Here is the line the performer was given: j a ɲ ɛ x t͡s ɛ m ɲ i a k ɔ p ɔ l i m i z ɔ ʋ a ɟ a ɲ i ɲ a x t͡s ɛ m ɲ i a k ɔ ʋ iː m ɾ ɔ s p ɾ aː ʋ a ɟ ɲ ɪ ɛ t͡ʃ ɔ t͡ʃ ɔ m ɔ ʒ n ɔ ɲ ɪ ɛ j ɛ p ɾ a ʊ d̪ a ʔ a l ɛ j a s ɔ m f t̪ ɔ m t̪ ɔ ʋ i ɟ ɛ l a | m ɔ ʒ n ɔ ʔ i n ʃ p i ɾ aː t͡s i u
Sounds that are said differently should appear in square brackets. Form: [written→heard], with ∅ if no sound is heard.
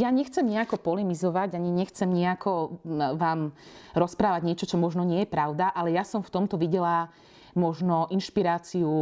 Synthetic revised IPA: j a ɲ ɛ x t͡s ɛ m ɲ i a k ɔ p ɔ l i m i z ɔ ʋ a ɟ a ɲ i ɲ [a→ɛ] x t͡s ɛ m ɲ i a k ɔ ʋ [iː→aː] m ɾ ɔ s p ɾ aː ʋ a ɟ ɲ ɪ ɛ t͡ʃ ɔ t͡ʃ ɔ m ɔ ʒ n ɔ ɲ ɪ ɛ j ɛ p ɾ a ʊ d̪ a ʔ a l ɛ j a s ɔ m f t̪ ɔ m t̪ ɔ ʋ i ɟ ɛ l a | m ɔ ʒ n ɔ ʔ i n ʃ p i ɾ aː t͡s i u